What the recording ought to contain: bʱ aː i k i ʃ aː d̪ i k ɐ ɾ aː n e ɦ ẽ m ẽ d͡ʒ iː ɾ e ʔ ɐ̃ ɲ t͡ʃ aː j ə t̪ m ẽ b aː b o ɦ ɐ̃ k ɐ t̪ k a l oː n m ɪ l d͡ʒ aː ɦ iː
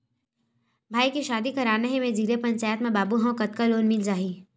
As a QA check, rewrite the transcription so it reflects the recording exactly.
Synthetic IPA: bʱ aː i k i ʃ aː d̪ i k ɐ ɾ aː n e ɦ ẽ m ẽ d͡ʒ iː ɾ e p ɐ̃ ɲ t͡ʃ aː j ə t̪ m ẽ b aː b u ɦ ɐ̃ k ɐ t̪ k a l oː n m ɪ l d͡ʒ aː ɦ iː